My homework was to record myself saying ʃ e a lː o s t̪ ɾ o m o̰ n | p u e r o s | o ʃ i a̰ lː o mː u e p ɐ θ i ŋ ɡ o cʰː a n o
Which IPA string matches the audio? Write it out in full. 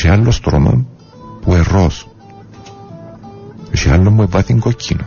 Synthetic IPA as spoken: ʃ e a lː o s t̪ ɾ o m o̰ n | p u e r o s | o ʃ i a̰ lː o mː u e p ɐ θ i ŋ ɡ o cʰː i n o